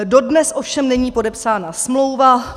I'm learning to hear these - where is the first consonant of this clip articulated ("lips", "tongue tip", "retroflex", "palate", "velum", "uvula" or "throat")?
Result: tongue tip